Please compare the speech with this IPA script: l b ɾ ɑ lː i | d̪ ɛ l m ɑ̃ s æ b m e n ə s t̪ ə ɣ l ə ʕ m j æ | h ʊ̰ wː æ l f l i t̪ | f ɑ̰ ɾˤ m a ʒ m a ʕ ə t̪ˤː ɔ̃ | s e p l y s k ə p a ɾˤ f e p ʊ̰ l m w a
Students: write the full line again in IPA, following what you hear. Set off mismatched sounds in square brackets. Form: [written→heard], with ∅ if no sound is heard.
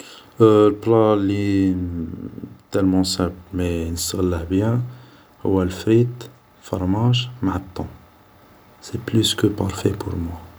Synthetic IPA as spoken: l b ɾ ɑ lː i | [d̪→t̪] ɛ l m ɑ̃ s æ b m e n ə s t̪ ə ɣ l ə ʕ [m→b] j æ | h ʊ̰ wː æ l f [l→ɾ] i t̪ | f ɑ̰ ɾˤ m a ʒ m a ʕ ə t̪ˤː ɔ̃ | s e p l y s k ə p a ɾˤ f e p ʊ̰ [l→ɾ] m w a